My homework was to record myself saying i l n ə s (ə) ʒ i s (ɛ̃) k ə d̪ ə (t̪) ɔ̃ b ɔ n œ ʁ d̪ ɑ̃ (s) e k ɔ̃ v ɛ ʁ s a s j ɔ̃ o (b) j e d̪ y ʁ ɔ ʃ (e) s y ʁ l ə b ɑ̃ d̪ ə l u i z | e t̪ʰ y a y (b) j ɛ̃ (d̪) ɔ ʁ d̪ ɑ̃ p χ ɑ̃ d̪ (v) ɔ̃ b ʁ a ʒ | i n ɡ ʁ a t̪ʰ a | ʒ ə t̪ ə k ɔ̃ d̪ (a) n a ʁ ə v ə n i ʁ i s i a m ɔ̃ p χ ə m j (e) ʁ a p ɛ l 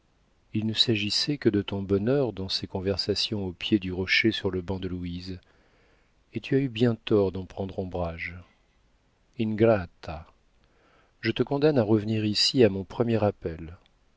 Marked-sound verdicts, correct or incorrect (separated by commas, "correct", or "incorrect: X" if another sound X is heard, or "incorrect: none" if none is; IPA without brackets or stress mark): incorrect: a, incorrect: ɛ, correct, correct, incorrect: p, correct, correct, incorrect: t̪, incorrect: ʁ, correct, incorrect: ɛ